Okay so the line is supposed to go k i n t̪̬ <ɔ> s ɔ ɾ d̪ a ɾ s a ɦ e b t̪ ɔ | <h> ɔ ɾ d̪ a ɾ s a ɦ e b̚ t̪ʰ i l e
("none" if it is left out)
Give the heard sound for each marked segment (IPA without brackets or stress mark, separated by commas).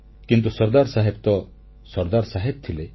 u, s